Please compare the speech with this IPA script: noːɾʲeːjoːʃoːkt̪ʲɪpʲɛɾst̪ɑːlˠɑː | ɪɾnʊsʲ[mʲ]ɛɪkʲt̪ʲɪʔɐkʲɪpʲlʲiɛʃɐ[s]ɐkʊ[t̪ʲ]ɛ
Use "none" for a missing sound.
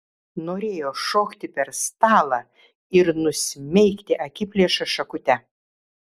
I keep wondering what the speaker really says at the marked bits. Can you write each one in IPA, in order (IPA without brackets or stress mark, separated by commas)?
mʲ, ʃ, t̪ʲ